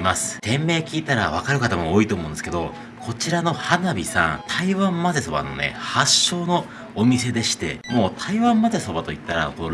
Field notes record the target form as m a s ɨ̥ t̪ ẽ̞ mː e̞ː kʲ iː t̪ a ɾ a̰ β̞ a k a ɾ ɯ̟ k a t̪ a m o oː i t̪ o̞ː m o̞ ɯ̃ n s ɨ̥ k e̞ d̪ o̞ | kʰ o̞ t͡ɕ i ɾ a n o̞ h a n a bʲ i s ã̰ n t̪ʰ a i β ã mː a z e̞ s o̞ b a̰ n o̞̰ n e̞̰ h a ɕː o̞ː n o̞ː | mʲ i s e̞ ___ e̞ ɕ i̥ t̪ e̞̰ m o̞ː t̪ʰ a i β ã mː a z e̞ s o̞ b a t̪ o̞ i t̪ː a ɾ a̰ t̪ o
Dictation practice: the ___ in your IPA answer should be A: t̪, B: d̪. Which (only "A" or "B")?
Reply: B